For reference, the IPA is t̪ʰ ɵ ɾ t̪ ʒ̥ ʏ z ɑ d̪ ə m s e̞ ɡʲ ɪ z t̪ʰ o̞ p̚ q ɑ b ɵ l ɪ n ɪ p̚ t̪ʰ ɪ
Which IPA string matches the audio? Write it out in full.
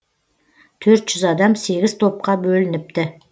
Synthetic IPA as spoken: t̪ʰ ɵ ɾ t̪ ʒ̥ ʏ z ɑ d̪ ɑ m s e̞ ɡʲ ɪ z t̪ʰ o̞ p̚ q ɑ b ɵ l ɪ n ɪ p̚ t̪ ɪ